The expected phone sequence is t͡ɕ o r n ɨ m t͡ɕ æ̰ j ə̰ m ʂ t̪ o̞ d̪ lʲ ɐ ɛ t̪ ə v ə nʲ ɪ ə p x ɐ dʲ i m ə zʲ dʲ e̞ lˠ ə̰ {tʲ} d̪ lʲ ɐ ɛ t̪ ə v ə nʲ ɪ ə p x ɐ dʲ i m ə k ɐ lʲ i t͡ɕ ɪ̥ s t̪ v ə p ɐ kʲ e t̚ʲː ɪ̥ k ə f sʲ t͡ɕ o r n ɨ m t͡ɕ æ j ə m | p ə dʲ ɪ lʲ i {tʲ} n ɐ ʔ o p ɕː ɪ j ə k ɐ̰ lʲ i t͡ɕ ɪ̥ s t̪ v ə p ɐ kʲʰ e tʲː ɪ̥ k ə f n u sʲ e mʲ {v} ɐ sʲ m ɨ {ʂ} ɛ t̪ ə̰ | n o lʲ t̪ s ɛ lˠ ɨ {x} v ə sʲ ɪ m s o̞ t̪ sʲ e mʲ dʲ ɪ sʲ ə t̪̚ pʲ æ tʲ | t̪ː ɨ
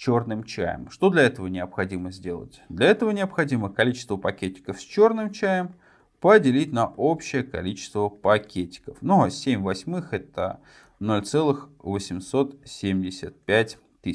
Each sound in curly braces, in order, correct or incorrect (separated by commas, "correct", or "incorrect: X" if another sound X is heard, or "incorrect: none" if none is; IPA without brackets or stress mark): correct, correct, correct, incorrect: x, correct